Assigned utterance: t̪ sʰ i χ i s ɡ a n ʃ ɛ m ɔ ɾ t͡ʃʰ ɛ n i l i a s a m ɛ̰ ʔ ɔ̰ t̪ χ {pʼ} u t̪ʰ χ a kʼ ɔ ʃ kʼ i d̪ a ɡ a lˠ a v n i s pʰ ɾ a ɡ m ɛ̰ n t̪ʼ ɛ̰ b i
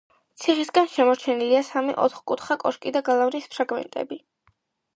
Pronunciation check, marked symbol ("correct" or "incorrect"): incorrect